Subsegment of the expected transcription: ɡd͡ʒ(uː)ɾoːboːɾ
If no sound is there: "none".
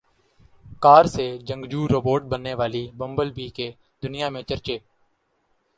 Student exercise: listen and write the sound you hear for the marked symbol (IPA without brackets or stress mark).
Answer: uː